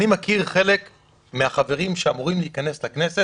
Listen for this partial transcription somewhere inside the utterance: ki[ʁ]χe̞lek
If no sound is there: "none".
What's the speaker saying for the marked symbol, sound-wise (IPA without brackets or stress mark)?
ʁ